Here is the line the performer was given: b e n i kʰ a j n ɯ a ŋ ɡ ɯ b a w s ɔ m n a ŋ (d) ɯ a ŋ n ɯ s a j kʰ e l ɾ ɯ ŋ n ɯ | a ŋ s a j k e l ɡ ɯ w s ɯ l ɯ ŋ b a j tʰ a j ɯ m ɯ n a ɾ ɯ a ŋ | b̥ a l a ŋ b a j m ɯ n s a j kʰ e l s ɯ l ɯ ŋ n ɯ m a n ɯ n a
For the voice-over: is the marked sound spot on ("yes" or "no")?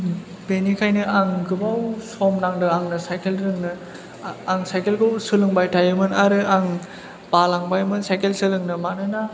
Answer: yes